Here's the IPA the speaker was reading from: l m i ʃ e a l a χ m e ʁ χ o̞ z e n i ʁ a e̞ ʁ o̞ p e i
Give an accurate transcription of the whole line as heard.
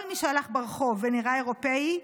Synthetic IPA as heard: l m i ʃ e a l a χ b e ʁ χ o̞ v e n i ʁ a e̞ ʁ o̞ p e i